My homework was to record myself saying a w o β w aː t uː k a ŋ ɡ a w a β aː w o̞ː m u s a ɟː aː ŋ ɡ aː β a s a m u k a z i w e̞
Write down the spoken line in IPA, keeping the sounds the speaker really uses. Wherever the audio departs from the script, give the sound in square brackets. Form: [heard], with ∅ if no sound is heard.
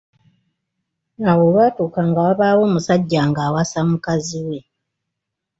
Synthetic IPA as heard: a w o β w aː t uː k a ŋ ɡ a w a β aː w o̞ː m u s a ɟː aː ŋ ɡ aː [w] a s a m u k a z i w e̞